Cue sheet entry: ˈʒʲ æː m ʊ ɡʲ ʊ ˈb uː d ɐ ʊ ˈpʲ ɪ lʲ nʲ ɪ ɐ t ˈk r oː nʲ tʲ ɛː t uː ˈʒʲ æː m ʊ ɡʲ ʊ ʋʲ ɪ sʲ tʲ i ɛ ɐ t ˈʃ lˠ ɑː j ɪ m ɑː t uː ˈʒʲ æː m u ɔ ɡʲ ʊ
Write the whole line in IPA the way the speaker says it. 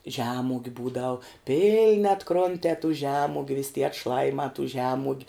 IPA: ˈʒʲ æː m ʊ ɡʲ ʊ ˈb uː d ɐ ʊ ˈpʲ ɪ lʲ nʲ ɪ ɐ t ˈk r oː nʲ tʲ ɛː t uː ˈʒʲ æː m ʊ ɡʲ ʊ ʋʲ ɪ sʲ tʲ i ɛ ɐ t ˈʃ lˠ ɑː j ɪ m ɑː t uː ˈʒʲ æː m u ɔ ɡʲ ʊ